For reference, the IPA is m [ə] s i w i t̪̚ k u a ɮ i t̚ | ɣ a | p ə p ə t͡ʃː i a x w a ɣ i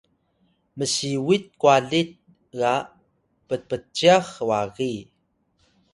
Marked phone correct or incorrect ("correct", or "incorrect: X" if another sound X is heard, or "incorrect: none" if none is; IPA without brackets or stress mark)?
correct